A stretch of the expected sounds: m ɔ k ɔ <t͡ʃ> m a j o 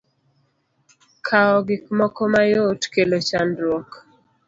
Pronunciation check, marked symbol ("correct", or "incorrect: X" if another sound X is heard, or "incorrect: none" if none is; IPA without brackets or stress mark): incorrect: none